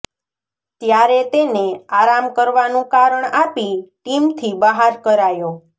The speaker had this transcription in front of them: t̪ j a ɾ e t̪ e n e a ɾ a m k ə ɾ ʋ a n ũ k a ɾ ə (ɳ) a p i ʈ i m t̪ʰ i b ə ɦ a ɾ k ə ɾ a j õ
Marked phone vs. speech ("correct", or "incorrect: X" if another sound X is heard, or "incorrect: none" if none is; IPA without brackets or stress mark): correct